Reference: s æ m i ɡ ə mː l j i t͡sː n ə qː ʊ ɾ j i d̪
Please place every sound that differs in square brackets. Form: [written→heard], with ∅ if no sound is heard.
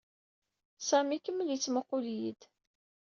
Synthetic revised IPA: s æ m i [ɡ→k] ə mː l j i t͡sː [n→m] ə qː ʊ [ɾ→l] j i d̪